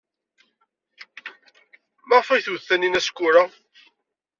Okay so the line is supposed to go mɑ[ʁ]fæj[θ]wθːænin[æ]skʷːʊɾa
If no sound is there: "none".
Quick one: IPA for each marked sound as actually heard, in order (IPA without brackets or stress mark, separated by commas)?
ʁ, θ, æ